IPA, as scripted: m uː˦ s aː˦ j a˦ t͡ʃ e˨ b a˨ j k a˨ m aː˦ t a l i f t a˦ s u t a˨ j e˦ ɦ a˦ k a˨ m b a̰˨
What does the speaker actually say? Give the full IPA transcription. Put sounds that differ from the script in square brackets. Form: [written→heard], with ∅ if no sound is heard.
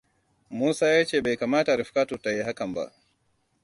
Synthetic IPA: m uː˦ s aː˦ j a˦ t͡ʃ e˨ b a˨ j k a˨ m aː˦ t a [l→ɾ] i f [t→k] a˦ [s→t] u t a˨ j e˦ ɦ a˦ k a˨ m b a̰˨